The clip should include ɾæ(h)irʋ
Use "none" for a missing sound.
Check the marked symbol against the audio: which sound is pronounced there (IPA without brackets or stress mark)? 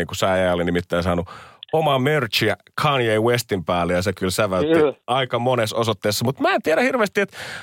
h